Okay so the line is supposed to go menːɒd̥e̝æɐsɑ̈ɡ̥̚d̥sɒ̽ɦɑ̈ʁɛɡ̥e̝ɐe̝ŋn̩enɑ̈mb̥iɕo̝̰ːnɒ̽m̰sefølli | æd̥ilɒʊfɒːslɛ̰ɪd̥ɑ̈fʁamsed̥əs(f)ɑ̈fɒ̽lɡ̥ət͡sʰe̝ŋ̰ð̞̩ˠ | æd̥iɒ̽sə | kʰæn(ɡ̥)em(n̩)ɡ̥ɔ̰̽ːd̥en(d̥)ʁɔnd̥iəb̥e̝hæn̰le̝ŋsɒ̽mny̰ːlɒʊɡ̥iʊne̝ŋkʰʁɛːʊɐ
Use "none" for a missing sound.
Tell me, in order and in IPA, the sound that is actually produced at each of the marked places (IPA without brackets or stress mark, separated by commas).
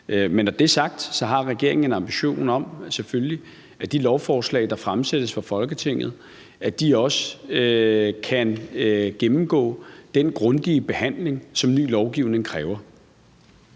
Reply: f, ɡ̥, m̩, ɡ̥